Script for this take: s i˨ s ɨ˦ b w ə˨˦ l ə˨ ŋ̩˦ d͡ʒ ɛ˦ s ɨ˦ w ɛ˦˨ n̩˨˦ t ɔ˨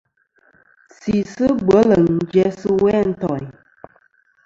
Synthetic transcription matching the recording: s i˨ s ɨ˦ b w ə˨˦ l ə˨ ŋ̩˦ d͡ʒ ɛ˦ s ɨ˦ w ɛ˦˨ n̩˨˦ t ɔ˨